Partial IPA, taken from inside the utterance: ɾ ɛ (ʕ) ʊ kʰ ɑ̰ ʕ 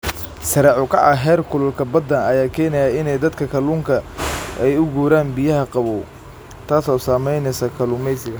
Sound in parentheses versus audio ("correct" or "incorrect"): correct